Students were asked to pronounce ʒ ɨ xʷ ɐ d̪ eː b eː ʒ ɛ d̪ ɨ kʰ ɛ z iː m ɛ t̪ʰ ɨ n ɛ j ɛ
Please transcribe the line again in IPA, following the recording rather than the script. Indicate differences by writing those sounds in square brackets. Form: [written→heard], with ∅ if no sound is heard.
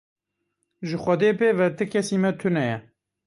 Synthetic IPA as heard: ʒ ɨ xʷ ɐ d̪ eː [b→p] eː [ʒ→v] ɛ [d̪→t̪] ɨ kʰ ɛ [z→s] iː m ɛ t̪ʰ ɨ n ɛ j ɛ